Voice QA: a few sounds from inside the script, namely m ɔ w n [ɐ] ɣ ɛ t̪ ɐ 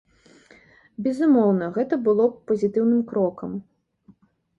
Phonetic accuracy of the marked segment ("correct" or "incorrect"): correct